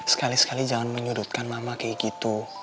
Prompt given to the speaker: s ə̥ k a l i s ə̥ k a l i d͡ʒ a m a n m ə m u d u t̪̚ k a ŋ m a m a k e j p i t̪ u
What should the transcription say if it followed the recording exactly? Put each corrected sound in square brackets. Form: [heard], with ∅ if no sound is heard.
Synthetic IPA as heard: s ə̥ k a l i s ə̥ k a l i d͡ʒ a [ŋ] a n m ə [ɲ] u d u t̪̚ k a [n] m a m a k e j [k] i t̪ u